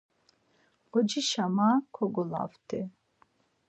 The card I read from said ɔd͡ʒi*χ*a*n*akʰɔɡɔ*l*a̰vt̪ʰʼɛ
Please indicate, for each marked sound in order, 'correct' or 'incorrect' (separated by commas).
incorrect, incorrect, correct